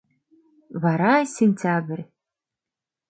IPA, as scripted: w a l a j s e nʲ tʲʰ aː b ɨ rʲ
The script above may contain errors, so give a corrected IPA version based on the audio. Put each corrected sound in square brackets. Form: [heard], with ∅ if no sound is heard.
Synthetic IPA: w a [ɾ] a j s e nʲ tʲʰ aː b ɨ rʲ